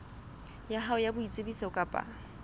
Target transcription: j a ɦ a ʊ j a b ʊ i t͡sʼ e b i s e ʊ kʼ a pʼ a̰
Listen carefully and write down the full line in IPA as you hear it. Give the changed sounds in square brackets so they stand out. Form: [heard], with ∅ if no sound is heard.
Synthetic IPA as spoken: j a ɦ a ʊ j a b ʊ i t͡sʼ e b i s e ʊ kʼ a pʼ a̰